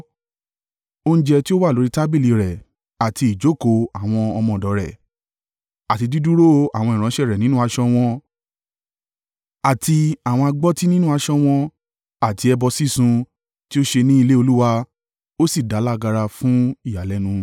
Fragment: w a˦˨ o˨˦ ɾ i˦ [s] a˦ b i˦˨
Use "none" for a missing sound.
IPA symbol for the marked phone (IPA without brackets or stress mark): t